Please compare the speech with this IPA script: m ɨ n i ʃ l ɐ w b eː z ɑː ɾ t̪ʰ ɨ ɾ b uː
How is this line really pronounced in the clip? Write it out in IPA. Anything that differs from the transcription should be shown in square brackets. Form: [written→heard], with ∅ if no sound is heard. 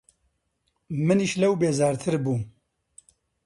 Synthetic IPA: m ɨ n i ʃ l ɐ w b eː z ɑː ɾ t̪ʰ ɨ ɾ b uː